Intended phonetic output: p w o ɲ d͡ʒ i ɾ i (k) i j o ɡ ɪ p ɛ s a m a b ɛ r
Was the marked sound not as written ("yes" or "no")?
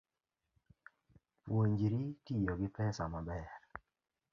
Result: yes